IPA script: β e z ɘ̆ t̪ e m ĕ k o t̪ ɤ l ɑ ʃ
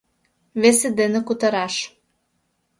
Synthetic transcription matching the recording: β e s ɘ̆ d̪ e n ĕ k u t̪ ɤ ɾ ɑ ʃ